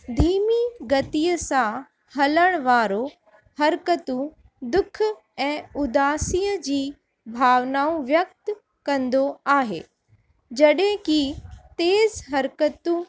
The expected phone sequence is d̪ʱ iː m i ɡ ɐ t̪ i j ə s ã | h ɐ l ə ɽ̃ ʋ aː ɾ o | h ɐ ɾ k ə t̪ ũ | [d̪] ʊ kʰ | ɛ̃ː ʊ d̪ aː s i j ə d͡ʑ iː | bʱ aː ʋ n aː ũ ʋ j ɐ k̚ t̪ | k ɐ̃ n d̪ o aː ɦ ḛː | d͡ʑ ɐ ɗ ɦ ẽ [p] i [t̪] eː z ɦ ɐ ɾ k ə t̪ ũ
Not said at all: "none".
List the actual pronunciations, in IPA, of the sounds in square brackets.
d̪, k, t̪

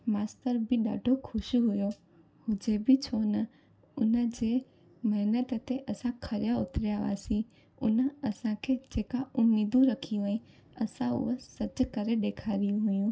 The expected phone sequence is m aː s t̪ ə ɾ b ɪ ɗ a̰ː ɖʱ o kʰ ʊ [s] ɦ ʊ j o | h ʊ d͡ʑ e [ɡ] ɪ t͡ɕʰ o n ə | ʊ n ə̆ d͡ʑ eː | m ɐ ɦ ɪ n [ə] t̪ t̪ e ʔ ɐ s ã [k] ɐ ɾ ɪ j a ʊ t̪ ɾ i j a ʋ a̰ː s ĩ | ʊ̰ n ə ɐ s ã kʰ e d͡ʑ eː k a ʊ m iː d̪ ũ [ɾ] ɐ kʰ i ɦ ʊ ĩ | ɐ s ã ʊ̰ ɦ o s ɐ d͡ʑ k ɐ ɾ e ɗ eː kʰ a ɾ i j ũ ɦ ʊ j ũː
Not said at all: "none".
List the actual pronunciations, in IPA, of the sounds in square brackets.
ʃ, b, ə, kʰ, ɾ

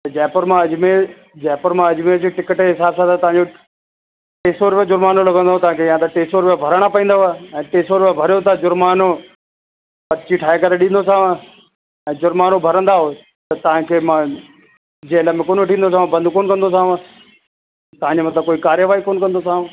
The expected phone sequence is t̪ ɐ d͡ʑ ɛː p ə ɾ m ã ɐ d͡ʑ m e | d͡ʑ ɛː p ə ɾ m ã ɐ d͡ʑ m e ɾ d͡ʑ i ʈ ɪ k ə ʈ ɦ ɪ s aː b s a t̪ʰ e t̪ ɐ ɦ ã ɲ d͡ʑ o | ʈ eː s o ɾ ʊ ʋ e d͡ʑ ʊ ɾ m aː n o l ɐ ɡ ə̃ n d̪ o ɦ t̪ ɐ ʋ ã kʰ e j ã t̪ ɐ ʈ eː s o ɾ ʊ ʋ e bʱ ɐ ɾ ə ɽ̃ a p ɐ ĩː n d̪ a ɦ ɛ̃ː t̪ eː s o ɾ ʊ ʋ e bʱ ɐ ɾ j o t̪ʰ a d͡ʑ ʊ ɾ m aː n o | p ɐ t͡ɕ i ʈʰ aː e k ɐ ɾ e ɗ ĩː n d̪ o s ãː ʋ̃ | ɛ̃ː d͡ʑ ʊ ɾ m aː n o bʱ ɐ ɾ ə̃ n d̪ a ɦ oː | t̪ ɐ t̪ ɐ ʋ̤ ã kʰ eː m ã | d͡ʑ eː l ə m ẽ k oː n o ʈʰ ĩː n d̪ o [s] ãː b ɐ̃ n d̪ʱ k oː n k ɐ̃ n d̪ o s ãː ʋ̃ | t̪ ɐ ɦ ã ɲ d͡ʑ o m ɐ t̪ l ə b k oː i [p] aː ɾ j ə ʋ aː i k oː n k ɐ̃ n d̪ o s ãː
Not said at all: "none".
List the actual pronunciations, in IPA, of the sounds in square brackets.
s, k

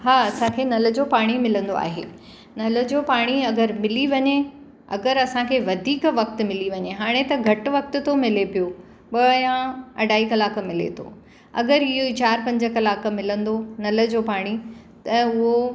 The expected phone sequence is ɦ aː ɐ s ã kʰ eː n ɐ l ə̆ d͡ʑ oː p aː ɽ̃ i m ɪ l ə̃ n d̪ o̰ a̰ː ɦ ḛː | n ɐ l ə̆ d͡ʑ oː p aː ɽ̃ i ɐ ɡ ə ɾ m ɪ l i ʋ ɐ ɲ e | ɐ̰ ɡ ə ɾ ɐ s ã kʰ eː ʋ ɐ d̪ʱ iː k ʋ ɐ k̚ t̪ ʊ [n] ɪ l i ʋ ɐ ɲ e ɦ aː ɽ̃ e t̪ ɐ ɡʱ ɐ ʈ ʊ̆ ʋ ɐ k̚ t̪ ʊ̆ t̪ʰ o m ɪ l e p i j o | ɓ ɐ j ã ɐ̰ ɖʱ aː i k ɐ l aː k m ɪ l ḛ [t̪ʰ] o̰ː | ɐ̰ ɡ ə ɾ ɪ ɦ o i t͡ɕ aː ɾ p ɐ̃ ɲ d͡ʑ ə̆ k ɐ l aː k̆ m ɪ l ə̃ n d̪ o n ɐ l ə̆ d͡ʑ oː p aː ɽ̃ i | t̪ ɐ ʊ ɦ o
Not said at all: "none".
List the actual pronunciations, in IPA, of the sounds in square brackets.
m, t̪ʰ

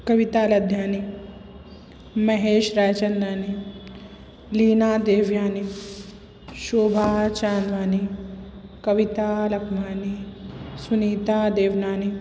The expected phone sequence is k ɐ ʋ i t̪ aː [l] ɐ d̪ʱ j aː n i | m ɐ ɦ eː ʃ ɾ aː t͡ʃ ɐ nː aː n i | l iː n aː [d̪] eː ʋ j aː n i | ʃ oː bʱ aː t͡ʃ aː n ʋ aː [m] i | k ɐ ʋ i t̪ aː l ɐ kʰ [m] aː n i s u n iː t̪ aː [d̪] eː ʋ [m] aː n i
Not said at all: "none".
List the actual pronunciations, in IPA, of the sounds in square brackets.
l, d̪, n, m, d̪, n

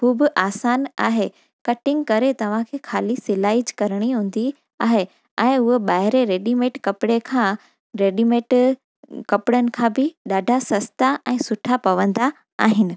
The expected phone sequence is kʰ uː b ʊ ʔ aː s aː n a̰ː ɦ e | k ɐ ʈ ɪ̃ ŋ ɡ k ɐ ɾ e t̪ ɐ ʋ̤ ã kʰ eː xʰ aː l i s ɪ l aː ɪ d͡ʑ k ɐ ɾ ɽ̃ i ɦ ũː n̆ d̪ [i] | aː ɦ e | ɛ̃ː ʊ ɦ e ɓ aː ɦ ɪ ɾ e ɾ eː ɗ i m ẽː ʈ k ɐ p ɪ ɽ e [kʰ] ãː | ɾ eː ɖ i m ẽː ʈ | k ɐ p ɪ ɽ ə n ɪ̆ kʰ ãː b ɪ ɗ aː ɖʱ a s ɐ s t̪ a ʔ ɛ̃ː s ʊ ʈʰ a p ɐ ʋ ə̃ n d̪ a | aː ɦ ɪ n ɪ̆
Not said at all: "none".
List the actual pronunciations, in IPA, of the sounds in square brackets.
i, kʰ

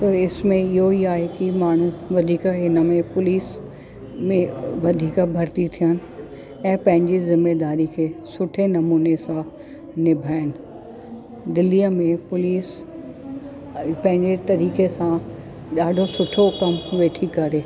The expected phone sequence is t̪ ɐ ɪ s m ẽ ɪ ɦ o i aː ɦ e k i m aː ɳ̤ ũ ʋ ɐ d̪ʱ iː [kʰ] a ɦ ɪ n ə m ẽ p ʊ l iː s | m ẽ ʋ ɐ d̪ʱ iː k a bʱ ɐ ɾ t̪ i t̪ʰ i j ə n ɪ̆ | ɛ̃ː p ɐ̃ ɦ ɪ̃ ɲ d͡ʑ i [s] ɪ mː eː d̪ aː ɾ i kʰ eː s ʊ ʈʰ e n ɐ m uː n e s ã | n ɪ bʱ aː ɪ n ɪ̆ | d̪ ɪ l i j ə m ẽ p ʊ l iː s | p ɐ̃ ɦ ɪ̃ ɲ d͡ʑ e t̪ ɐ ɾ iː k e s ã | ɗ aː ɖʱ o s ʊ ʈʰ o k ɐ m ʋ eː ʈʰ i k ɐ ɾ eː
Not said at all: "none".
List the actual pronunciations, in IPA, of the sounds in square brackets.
k, z

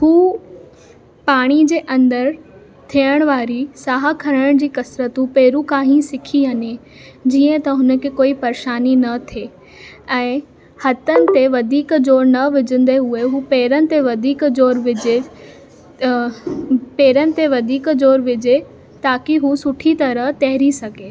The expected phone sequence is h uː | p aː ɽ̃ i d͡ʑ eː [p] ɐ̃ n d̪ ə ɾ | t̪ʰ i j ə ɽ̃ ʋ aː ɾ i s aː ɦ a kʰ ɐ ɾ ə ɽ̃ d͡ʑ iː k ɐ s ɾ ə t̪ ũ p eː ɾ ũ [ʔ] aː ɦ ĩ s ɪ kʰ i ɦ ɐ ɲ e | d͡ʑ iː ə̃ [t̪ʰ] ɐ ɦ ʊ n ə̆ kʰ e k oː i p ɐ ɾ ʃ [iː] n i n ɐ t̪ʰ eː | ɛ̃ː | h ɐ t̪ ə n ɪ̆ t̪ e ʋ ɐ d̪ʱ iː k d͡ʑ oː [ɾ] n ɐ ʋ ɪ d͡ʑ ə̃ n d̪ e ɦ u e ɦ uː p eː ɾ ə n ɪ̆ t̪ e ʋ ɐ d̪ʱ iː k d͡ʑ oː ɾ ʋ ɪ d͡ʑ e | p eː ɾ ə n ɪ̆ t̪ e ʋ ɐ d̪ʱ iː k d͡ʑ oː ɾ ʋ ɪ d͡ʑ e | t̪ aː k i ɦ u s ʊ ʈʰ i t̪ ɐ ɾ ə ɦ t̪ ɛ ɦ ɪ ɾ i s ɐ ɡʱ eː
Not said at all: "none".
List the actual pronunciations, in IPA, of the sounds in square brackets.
ʔ, k, t̪, aː, ɾ

